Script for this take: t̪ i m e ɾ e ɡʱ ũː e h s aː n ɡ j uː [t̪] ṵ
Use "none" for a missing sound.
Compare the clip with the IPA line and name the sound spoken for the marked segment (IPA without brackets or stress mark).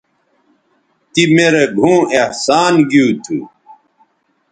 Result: t̪ʰ